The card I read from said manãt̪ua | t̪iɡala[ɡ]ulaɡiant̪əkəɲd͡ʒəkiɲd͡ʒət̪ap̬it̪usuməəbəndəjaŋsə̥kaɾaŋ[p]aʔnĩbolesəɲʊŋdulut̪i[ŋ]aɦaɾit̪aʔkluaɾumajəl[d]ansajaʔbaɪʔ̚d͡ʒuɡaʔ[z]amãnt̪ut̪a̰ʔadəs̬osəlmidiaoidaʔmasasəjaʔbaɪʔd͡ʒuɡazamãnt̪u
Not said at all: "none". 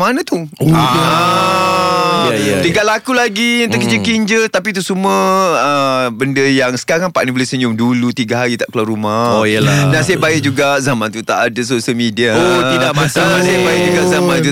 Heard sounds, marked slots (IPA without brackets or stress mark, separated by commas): k, p, ɡ, d, z